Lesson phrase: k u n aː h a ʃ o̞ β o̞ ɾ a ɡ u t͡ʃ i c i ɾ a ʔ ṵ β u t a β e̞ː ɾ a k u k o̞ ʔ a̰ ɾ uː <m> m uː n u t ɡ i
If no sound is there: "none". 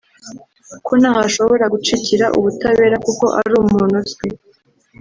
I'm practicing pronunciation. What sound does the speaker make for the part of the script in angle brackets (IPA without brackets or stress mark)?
m